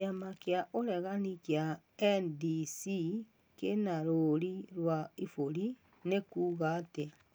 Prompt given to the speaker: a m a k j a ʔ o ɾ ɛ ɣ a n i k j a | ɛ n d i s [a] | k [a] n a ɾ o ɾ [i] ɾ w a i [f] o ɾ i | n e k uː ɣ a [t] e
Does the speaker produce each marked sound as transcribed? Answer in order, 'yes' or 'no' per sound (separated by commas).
no, no, yes, yes, yes